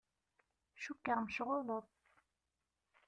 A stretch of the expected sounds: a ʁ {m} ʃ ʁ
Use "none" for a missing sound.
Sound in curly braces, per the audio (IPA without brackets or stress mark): m